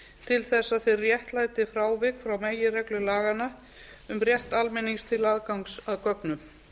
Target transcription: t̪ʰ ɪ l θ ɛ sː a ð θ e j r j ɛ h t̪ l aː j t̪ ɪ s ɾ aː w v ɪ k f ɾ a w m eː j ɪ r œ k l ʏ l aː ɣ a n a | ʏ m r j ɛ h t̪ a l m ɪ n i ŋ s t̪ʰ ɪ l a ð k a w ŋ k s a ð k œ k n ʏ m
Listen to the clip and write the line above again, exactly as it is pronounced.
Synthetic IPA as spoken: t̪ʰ ɪ l θ ɛ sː a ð θ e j r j ɛ h t̪ l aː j t̪ ɪ f ɾ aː w v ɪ k f ɾ a w m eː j ɪ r ɛ k l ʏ l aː ɣ a n a | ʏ m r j ɛ h t̪ a l m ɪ n i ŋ s t̪ʰ ɪ l a ð k a w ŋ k s a ð k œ k n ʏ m